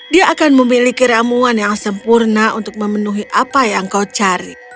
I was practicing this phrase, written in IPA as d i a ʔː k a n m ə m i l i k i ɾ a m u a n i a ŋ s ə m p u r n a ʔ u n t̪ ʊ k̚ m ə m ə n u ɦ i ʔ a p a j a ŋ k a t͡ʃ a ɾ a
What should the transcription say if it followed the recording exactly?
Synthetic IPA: d i a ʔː k a n m ə m i l i k i ɾ a m u a n j a ŋ s ə m p u r n a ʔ u n t̪ ʊ k̚ m ə m ə n u ɦ i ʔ a p a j a ŋ k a t͡ʃ a ɾ i